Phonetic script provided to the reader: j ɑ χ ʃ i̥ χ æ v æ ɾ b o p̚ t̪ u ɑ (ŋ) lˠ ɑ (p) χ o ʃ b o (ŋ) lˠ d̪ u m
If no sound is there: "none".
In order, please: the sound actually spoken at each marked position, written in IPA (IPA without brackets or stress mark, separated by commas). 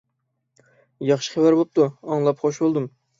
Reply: ŋ, p, none